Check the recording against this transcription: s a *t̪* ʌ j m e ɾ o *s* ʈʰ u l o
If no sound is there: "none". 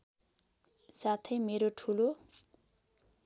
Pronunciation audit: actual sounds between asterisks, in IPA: t̪ʰ, none

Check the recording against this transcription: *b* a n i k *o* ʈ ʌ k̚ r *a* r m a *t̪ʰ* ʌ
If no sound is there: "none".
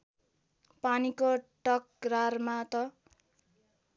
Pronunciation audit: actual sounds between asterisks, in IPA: p, o, a, t̪

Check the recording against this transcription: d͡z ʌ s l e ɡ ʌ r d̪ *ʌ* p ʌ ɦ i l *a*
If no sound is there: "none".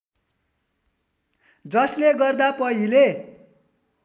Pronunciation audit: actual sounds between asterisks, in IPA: a, e

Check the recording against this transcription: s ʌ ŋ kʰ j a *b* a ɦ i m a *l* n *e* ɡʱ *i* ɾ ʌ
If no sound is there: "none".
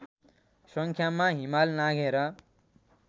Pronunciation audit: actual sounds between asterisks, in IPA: m, l, a, e

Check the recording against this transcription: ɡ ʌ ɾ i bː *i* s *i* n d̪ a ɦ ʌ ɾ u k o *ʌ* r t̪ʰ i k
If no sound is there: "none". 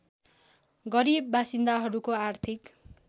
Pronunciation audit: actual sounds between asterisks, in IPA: a, i, a

